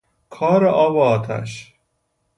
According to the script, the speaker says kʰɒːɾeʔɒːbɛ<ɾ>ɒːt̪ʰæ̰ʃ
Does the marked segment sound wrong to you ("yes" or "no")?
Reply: yes